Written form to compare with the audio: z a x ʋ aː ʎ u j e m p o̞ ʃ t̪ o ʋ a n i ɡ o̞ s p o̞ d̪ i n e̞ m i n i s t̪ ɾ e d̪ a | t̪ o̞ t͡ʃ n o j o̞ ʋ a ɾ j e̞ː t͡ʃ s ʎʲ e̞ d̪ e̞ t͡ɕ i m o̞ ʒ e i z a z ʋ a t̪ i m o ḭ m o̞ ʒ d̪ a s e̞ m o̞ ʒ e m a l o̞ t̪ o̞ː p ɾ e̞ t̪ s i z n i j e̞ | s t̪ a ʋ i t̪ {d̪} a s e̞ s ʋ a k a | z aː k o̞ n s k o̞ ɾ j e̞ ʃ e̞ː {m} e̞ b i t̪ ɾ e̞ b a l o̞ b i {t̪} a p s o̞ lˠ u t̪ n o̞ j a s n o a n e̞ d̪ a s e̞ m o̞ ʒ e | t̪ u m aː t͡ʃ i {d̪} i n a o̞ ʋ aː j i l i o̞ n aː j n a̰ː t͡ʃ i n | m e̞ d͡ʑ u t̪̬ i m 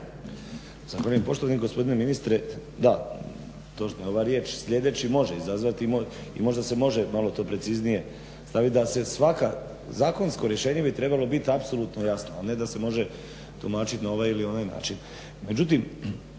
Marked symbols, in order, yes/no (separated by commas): yes, no, yes, no